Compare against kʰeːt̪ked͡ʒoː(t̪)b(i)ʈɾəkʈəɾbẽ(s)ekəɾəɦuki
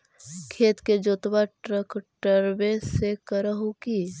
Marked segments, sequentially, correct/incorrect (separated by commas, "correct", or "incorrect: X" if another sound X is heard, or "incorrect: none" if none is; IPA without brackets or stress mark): correct, incorrect: a, correct